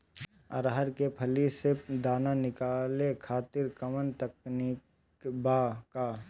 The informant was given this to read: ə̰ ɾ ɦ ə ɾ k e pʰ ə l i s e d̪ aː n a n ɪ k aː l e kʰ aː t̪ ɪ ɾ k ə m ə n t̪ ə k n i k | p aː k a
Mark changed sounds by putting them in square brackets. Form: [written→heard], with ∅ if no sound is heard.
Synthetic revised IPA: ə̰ ɾ ɦ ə ɾ k e pʰ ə l i s e d̪ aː n a n ɪ k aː l e kʰ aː t̪ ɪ ɾ k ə m ə n t̪ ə k n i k | [p→b] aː k a